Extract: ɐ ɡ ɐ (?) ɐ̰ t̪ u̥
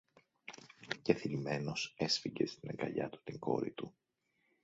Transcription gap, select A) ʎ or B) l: A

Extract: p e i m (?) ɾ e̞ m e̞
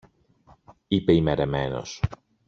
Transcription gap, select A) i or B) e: B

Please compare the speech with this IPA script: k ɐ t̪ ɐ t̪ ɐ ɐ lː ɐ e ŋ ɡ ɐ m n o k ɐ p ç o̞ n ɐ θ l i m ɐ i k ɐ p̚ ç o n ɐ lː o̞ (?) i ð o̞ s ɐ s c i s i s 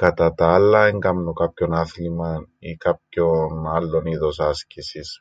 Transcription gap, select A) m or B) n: B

